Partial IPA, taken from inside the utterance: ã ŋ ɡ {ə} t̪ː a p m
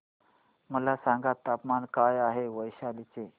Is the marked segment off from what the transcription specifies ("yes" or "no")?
yes